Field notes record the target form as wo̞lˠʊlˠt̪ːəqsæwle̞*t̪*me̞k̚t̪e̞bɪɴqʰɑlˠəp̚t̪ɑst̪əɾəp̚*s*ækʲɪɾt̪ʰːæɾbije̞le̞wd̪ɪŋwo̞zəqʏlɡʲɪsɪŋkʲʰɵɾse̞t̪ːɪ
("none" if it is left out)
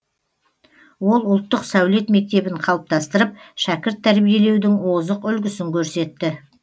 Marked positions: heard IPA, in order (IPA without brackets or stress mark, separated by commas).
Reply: t̪, ʃ